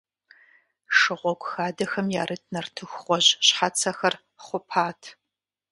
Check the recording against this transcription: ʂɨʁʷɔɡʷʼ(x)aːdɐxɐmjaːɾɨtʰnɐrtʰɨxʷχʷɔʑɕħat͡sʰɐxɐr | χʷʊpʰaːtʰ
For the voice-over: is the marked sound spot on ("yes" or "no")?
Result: yes